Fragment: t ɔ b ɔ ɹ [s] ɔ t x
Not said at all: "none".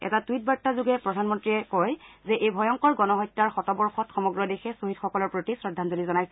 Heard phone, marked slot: x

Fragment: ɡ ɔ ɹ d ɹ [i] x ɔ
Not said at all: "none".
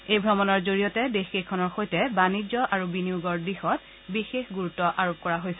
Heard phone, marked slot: i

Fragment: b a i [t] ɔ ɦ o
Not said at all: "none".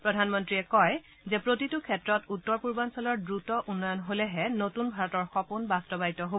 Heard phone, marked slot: t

